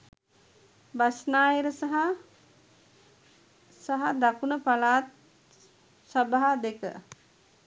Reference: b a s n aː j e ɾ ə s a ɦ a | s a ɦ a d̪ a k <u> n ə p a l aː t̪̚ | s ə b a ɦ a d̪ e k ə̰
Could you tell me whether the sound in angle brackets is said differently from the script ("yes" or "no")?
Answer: no